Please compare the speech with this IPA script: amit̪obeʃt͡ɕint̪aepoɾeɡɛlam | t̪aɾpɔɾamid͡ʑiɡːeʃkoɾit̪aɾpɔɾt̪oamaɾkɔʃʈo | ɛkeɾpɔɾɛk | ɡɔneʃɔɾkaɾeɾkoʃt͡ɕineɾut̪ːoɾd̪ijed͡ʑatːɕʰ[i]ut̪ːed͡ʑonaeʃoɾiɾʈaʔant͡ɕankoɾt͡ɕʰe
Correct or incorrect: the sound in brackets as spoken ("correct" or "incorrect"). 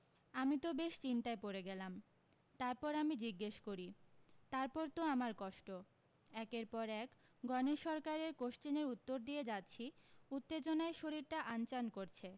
correct